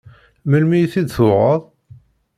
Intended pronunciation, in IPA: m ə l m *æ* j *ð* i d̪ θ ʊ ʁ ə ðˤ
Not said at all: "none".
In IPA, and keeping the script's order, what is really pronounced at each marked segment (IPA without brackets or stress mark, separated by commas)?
i, θ